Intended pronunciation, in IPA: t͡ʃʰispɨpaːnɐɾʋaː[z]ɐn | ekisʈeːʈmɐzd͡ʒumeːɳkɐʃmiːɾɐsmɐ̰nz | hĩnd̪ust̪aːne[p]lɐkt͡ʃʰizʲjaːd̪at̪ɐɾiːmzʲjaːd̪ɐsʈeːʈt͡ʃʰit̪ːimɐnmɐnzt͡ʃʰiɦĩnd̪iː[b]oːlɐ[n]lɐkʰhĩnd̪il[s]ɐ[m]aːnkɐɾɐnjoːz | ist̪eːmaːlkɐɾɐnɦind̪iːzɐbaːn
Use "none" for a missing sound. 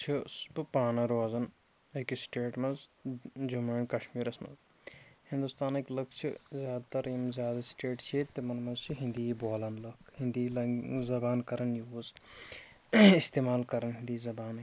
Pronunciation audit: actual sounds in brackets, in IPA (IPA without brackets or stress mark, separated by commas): z, k, b, n, z, b